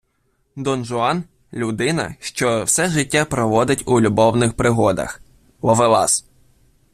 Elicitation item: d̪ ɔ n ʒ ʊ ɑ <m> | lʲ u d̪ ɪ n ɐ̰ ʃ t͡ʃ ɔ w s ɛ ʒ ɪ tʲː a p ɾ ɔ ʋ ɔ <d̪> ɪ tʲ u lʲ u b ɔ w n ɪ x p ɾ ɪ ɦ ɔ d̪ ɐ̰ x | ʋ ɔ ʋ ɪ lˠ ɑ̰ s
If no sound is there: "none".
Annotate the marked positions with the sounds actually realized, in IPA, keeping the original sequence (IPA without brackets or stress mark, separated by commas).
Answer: n, d̪